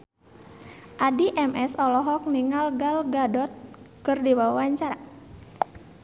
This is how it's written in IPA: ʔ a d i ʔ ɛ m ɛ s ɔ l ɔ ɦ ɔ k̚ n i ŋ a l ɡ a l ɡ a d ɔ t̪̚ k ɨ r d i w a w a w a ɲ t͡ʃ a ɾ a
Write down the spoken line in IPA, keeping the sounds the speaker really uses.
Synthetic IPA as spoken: ʔ a d i ʔ ɛ m ɛ s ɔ l ɔ ɦ ɔ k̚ n i ŋ a l ɡ a l ɡ a d ɔ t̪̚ k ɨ r d i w a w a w a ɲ t͡ʃ a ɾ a